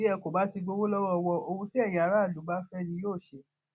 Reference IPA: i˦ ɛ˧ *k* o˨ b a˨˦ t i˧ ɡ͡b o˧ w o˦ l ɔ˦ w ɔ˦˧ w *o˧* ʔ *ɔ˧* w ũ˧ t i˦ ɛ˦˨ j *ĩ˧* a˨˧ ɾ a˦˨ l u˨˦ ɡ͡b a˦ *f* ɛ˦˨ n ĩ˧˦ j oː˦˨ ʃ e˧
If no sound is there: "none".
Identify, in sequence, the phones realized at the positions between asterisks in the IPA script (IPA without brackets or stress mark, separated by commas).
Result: k, ɔ˧, o˧, ĩ˧, f